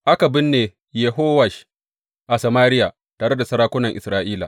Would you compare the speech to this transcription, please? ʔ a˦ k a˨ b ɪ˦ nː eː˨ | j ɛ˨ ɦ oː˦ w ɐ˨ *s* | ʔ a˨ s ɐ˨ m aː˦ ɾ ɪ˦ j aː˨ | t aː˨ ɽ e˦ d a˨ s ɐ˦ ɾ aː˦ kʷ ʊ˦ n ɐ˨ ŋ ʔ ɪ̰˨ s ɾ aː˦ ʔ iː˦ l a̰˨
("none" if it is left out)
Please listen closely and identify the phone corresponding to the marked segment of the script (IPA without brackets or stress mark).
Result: ʃ